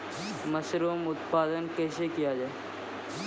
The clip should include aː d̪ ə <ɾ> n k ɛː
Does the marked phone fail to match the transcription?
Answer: yes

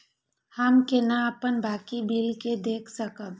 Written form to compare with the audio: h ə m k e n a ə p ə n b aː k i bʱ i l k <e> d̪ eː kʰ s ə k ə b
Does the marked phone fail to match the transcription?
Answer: no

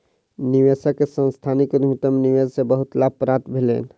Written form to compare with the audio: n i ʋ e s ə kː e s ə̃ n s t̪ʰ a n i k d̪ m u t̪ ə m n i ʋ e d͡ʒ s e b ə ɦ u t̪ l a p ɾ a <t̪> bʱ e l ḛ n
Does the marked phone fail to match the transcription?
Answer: no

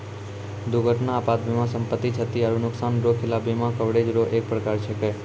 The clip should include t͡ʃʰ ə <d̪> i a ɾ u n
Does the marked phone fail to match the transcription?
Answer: yes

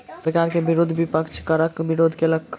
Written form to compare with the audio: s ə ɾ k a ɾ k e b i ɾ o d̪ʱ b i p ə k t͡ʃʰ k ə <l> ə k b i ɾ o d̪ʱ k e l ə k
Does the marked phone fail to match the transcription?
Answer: yes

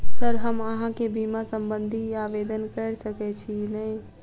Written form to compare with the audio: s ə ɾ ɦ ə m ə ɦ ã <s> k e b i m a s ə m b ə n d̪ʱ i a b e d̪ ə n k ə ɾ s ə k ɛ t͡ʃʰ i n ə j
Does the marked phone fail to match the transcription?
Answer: yes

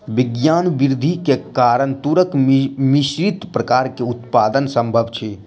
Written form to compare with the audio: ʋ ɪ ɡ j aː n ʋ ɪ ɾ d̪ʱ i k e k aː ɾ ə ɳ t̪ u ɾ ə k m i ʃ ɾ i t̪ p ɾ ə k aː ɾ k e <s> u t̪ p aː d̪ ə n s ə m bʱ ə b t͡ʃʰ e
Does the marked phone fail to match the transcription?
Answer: yes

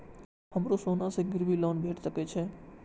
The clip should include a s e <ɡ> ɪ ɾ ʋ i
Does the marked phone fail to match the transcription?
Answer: no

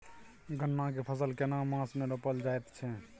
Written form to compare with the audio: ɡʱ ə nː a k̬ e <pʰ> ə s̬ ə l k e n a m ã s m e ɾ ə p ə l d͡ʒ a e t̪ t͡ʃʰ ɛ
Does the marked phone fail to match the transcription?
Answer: no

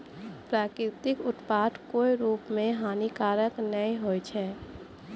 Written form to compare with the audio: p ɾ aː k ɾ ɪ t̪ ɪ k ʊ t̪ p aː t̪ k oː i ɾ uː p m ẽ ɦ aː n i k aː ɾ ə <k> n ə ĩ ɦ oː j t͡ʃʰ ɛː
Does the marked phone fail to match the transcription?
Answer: no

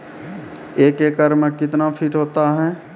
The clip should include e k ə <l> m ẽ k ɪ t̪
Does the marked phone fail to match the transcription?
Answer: yes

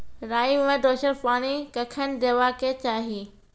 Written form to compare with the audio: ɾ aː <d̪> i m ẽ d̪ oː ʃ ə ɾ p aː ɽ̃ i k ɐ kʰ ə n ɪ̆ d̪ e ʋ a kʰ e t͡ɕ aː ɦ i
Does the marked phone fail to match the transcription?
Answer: yes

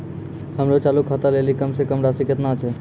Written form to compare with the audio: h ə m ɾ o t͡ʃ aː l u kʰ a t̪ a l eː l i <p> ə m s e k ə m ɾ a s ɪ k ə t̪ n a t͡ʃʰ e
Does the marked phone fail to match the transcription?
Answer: yes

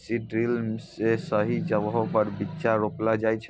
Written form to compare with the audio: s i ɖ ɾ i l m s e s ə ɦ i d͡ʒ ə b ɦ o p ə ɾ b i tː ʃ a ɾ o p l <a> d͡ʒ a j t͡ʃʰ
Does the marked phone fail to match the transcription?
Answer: no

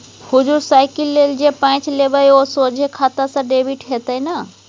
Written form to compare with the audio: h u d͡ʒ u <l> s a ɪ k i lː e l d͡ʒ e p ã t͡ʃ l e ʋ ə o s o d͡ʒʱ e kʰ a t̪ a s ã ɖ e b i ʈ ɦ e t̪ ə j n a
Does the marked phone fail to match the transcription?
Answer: yes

